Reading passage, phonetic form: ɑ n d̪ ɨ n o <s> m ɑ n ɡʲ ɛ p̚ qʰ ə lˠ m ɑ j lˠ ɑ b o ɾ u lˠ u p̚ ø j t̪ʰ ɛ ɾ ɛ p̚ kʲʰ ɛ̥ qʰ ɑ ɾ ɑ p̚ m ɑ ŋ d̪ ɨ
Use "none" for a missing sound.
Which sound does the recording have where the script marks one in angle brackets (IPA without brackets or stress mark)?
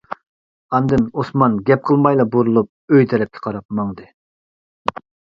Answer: s